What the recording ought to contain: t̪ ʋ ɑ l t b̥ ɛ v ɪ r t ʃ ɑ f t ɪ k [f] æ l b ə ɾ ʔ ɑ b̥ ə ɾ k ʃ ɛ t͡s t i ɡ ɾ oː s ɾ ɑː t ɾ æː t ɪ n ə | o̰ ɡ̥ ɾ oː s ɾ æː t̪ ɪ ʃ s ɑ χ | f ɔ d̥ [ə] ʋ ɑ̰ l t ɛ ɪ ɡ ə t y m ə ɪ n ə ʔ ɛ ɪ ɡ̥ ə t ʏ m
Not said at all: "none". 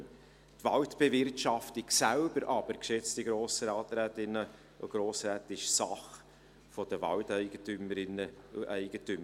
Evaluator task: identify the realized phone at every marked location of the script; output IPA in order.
s, ə

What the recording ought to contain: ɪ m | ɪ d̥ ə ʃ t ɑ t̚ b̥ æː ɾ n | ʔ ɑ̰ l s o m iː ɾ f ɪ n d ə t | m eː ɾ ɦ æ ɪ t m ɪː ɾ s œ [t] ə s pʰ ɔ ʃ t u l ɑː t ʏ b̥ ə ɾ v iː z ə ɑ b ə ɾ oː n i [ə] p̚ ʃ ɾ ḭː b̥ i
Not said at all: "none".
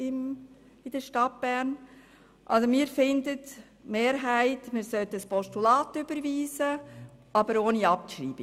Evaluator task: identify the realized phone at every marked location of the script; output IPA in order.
t, ɑ

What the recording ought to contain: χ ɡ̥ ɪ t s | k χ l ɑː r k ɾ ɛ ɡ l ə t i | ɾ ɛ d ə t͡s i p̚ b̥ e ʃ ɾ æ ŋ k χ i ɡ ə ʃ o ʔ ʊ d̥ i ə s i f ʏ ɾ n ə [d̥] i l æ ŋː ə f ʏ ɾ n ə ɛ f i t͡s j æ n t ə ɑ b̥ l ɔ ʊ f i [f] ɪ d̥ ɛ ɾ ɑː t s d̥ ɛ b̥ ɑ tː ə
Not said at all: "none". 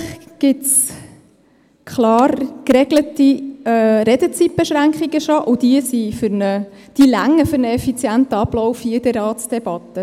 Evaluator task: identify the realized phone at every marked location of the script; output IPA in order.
d̥, none

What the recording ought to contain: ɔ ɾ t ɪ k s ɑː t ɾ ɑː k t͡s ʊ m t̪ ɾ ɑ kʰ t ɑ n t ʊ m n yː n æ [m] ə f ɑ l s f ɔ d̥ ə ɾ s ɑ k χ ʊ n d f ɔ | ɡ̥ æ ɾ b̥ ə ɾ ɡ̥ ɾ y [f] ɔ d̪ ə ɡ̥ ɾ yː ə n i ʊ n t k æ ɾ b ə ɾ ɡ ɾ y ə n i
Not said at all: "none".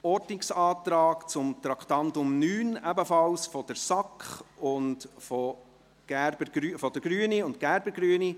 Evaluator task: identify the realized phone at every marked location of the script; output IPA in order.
b, f

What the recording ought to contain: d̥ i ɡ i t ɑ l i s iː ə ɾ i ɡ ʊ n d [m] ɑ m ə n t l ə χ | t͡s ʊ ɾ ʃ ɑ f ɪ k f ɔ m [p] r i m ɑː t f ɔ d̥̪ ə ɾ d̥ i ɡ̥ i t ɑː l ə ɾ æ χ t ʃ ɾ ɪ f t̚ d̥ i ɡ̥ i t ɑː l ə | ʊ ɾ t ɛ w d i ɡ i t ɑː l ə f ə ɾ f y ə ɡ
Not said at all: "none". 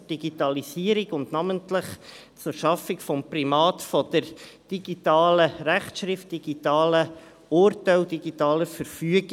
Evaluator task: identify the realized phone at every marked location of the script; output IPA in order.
n, p

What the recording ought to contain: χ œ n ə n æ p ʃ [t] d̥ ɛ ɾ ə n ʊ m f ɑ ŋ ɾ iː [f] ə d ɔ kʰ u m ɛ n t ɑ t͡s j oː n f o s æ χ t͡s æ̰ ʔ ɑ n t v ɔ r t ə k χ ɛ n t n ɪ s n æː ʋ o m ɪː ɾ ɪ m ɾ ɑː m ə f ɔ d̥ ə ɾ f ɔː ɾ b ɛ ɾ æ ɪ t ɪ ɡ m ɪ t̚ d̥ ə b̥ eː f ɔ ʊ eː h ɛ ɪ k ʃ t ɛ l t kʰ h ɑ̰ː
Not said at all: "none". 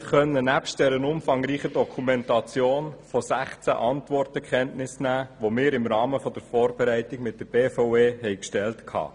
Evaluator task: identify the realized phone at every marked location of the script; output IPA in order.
t, χ

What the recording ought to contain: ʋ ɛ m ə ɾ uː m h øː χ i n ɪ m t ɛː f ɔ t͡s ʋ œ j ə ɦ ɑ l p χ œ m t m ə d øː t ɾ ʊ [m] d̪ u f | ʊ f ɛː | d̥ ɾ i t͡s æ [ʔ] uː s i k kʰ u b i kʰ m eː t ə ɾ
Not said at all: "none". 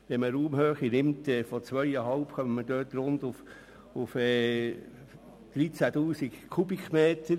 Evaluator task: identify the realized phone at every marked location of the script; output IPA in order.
n, t

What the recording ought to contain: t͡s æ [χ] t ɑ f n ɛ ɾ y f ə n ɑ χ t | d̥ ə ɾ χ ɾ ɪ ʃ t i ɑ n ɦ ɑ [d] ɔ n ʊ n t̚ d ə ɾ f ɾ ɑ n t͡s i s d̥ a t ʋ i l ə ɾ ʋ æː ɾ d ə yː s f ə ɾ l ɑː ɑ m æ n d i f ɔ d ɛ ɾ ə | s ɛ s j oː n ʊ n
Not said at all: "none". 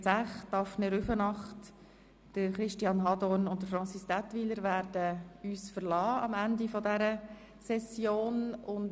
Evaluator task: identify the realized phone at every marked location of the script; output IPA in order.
χ, d

